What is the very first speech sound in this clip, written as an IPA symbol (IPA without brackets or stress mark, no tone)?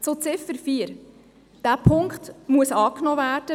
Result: t͡s